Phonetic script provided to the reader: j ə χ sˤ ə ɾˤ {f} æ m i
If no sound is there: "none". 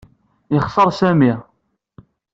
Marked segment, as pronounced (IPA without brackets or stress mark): s